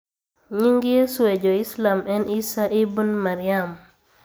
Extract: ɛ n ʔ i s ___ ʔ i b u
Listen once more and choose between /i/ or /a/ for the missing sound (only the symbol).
a